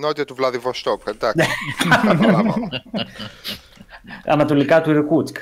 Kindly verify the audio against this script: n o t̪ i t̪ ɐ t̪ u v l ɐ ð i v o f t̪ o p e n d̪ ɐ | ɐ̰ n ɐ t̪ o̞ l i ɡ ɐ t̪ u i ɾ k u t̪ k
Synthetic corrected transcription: n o t̪ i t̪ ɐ t̪ u v l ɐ ð i v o s t̪ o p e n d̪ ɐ | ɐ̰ n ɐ t̪ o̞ l i k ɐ t̪ u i ɾ k u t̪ k